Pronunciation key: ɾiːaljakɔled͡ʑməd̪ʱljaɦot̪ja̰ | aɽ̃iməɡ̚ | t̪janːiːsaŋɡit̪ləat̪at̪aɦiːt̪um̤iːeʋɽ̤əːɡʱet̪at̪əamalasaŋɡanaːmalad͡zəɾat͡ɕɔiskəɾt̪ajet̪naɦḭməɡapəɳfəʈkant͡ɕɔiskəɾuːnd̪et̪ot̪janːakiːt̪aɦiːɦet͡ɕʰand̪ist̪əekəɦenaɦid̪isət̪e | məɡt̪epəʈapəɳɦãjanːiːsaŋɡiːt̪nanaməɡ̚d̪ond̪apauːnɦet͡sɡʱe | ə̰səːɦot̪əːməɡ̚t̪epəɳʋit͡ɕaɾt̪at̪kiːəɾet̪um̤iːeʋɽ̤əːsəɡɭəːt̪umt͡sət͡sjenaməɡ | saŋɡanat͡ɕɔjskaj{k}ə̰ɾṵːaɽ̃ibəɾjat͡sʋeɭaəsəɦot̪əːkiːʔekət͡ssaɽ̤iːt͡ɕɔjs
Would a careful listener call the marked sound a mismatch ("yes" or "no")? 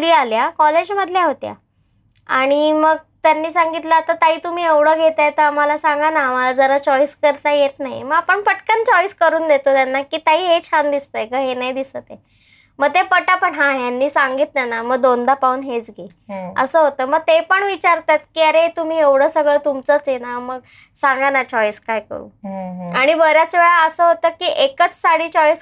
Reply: no